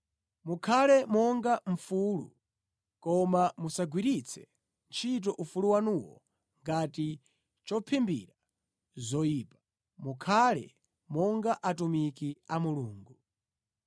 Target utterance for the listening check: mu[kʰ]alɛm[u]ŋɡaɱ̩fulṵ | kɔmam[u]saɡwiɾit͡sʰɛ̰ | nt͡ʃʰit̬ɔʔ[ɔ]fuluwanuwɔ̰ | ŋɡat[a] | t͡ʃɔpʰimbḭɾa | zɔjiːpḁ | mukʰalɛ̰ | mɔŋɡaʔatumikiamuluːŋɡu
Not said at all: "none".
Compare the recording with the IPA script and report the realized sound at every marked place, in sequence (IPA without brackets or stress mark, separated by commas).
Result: kʰ, ɔ, u, u, i